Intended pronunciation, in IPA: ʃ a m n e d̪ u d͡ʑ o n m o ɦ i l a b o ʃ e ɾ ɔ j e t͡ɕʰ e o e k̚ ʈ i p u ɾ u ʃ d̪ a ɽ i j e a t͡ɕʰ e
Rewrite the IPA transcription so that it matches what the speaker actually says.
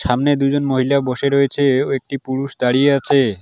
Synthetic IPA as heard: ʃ a m n e d̪ u d͡ʑ o n m o ɦ i l a b o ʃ e ɾ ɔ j e t͡ɕʰ e o e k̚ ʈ i p u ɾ u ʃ d̪ a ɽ i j e a t͡ɕʰ e